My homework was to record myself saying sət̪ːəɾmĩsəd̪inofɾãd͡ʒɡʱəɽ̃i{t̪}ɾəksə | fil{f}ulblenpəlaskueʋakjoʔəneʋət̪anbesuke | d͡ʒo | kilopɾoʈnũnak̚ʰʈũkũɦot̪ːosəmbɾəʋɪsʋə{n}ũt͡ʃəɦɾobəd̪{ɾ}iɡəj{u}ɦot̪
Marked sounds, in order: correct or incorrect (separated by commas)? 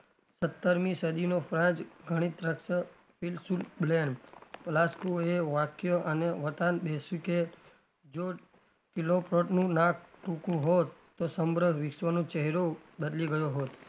correct, incorrect, correct, incorrect, incorrect